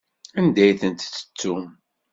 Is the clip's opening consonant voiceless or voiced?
voiced